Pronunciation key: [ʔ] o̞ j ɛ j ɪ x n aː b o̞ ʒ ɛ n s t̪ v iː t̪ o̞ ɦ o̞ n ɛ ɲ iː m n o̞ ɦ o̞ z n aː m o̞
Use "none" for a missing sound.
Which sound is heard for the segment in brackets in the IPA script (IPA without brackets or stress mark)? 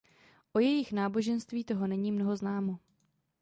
ʔ